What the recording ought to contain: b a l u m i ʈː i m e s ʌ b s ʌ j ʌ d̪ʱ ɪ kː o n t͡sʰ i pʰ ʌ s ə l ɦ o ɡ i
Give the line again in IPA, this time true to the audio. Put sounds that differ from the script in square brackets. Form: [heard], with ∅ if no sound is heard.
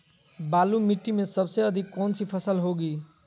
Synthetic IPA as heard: b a l u m i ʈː i m e s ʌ b s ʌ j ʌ d̪ʱ [i] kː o n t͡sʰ i pʰ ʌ s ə l ɦ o ɡ i